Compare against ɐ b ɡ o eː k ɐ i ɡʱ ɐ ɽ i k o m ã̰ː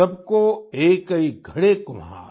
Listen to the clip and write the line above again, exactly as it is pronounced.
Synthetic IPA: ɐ b k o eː k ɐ i ɡʱ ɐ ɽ e k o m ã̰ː